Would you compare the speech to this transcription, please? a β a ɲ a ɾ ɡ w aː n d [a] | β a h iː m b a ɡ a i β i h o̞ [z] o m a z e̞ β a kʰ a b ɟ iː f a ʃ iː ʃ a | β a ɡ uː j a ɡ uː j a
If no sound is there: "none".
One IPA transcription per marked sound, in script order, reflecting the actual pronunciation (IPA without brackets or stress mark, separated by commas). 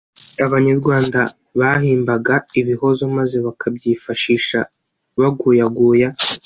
a, z